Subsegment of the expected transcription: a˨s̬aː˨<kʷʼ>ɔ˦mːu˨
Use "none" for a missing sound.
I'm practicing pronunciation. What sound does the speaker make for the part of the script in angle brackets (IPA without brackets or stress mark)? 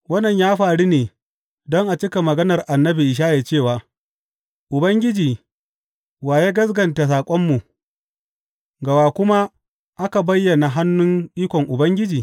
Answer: kʷʼ